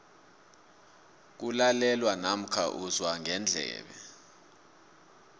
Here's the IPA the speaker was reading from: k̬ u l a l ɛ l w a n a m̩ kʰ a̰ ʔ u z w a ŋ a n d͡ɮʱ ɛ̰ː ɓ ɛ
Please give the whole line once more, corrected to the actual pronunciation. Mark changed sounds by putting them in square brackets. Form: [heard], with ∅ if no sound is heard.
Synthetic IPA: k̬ u l a l ɛ l w a n a m̩ kʰ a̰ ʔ u z w a ŋ [ɛ] n d͡ɮʱ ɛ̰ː ɓ ɛ